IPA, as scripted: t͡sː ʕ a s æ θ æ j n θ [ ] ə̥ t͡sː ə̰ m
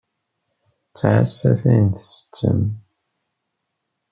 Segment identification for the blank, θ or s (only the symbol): s